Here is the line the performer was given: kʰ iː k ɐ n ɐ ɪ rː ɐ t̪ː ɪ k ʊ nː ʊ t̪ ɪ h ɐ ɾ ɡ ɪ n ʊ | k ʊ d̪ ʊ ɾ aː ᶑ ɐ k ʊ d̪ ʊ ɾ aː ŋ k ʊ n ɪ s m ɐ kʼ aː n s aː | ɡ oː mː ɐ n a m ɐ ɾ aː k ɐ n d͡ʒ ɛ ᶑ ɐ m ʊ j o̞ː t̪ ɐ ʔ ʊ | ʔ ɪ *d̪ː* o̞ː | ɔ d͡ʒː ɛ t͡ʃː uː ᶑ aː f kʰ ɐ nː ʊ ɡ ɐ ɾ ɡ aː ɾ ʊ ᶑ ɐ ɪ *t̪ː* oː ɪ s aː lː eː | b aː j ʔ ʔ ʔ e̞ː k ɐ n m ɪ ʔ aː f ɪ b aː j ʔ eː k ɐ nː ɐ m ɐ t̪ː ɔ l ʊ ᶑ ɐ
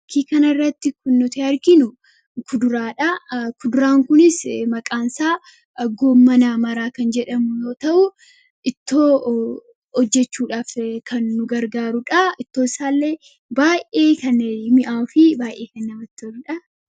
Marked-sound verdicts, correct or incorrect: incorrect: t̪ː, correct

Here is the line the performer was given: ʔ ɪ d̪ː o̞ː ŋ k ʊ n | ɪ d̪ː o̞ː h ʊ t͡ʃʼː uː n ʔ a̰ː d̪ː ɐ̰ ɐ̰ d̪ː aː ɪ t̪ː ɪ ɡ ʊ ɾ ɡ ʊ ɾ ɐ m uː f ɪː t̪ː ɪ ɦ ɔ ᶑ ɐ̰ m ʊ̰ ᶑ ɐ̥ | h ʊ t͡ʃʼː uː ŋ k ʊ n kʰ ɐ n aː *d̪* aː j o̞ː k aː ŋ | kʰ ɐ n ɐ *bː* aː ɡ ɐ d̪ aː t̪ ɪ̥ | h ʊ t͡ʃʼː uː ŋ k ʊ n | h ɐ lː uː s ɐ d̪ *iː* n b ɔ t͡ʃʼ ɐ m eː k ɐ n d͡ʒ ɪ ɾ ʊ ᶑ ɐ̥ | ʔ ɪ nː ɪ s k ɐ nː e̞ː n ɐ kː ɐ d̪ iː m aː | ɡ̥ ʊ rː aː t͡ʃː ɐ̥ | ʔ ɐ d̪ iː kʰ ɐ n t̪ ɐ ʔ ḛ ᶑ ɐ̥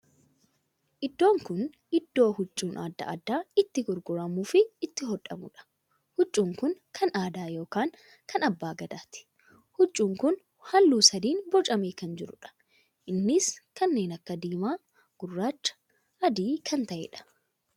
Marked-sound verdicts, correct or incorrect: correct, correct, correct

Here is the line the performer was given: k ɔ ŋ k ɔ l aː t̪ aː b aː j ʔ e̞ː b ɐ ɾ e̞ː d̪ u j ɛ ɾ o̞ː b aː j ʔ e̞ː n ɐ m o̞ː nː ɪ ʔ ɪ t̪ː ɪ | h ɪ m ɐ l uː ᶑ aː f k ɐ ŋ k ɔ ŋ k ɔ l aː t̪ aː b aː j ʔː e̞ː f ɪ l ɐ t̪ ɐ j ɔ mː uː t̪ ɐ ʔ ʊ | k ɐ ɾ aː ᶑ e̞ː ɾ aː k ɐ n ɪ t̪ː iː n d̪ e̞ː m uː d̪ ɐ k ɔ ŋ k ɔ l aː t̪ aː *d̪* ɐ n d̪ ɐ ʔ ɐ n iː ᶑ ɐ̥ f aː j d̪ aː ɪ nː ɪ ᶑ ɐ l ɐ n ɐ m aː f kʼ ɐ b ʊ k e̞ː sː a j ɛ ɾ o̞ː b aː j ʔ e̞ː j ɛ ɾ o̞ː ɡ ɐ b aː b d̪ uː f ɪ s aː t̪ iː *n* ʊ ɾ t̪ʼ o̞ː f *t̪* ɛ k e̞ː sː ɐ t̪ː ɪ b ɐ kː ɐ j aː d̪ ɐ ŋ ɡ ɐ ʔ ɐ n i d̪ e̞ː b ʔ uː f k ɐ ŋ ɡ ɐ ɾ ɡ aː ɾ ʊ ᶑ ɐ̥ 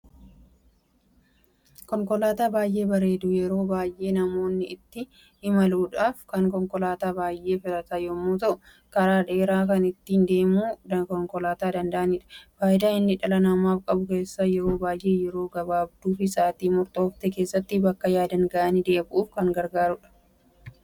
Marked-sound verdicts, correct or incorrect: correct, incorrect: m, correct

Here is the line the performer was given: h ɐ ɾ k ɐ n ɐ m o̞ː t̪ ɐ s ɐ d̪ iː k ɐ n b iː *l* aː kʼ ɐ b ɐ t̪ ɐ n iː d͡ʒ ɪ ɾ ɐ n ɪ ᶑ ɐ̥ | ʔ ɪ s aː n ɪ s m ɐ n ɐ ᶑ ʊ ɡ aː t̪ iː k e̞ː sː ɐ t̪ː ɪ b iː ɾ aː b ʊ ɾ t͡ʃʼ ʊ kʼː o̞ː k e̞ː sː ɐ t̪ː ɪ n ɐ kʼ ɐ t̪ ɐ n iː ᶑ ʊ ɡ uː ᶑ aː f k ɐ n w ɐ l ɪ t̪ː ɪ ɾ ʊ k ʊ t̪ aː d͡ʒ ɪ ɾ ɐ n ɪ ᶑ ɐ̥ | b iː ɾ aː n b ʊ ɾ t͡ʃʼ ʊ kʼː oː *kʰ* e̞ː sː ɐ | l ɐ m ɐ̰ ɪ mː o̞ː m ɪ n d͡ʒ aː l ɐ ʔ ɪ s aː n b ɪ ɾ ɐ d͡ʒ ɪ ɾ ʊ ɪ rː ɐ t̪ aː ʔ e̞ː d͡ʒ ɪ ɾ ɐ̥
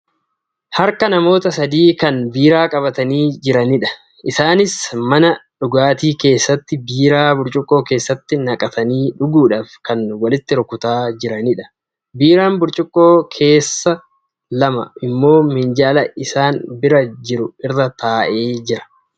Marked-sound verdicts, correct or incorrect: incorrect: ɾ, correct

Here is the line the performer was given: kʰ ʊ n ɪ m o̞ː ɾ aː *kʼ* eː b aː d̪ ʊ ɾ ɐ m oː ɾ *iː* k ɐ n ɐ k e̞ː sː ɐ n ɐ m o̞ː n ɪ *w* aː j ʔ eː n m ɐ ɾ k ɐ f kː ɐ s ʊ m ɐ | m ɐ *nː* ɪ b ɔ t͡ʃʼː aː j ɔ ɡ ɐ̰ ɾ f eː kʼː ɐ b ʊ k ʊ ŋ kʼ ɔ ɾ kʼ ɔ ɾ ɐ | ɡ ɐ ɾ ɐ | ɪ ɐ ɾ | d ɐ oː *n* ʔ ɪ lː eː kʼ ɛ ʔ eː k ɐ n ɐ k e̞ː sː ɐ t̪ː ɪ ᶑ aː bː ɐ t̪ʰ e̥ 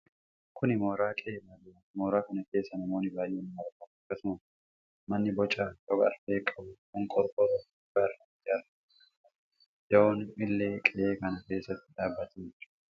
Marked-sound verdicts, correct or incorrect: correct, incorrect: aː, incorrect: b, correct, correct

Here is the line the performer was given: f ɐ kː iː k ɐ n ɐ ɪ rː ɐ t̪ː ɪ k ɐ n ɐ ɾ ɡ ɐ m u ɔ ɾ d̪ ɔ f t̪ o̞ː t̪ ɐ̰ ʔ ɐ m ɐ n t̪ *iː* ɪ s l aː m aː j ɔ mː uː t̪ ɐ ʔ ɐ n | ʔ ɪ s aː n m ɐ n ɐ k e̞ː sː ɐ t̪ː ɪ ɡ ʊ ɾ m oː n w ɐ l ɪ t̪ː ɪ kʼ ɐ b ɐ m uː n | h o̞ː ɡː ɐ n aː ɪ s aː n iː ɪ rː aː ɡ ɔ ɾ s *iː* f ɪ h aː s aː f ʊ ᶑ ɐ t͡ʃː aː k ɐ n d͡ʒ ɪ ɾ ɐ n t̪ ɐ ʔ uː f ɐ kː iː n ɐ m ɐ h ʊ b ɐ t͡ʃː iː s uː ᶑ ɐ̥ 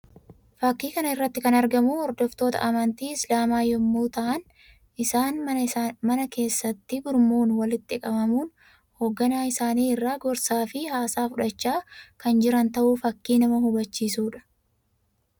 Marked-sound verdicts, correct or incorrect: correct, incorrect: aː

